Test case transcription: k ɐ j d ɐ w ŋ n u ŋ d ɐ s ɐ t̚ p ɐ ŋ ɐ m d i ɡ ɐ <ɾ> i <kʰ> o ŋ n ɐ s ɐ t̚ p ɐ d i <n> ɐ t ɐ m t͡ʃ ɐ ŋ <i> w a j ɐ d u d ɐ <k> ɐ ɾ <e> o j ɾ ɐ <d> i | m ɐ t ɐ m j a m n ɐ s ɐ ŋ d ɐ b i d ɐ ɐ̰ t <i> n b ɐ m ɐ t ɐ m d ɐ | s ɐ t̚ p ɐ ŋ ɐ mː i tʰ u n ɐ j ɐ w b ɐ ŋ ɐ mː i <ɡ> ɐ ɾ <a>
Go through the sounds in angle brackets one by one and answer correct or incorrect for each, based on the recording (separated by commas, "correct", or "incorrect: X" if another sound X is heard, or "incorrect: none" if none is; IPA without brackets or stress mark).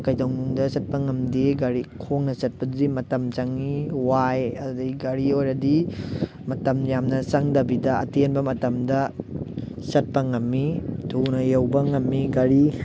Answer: correct, correct, incorrect: m, correct, incorrect: ɡ, incorrect: i, correct, incorrect: e, correct, incorrect: i